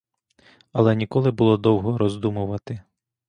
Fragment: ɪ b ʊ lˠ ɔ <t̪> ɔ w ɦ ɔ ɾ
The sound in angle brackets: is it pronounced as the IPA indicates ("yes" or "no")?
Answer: no